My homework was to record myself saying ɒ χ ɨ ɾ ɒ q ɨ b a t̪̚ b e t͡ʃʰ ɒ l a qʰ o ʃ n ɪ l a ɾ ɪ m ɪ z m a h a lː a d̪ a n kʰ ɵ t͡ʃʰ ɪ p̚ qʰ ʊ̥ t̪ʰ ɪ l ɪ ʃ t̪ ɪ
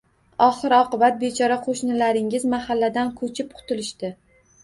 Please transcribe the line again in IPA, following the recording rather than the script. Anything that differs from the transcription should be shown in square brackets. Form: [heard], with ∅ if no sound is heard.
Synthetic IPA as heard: ɒ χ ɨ ɾ ɒ q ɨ b a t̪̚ b e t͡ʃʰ ɒ [ɾ] a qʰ o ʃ n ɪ l a ɾ ɪ [ŋ] ɪ z m a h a lː a d̪ a n kʰ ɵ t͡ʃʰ ɪ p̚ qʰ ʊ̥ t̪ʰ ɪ l ɪ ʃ t̪ ɪ